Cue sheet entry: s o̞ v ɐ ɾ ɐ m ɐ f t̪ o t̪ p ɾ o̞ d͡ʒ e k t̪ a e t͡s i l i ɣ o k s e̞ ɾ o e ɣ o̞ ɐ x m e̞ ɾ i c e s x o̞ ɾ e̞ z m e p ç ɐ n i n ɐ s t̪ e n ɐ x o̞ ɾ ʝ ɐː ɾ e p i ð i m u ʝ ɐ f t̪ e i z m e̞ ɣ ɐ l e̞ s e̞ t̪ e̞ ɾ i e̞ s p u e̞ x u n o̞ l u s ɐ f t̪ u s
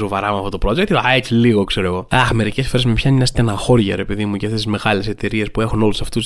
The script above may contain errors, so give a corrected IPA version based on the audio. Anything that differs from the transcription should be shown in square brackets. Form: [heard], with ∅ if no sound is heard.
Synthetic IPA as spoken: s o̞ v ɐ ɾ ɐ m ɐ f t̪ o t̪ p ɾ o̞ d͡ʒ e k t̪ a e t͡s i l i ɣ o k s e̞ ɾ o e ɣ o̞ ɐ x m e̞ ɾ i c e s [f] o̞ ɾ e̞ z m e p ç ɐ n i n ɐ s t̪ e n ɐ x o̞ ɾ ʝ [ɐ] ɾ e p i ð i m u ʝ ɐ f t̪ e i z m e̞ ɣ ɐ l e̞ s e̞ t̪ e̞ ɾ i e̞ s p u e̞ x u n o̞ l u s ɐ f t̪ u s